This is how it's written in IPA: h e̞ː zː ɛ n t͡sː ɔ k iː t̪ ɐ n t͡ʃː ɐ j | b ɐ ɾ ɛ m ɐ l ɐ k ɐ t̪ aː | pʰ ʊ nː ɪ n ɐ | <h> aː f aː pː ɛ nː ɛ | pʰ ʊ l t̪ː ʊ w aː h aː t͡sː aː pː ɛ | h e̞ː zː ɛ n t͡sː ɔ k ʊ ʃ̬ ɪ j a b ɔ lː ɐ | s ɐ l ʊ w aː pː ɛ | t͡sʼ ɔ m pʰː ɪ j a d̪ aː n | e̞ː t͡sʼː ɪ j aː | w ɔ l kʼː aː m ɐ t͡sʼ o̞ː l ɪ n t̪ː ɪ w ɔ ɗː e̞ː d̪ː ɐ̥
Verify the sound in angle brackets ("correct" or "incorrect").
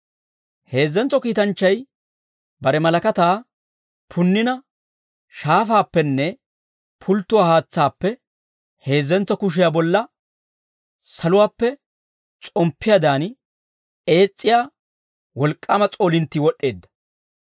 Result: incorrect